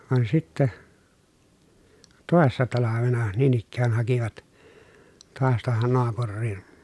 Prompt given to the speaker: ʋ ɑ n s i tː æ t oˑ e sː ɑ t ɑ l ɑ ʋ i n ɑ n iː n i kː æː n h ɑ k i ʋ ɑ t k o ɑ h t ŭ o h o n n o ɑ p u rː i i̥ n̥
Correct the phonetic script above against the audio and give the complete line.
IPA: ʋ ɑ n s i tː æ t oˑ e sː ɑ t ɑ l ɑ ʋ e n ɑ n iː n i kː æː n h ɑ k i ʋ ɑ t t o ɑ s t ŭ o h o n n o ɑ p u rː i i̥ n̥